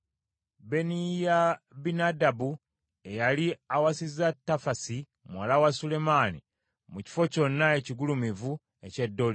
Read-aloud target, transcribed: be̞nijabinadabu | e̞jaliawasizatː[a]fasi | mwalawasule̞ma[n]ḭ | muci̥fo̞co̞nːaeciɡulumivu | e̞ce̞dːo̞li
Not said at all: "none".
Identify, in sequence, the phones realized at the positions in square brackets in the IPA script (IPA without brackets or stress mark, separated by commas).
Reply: a, n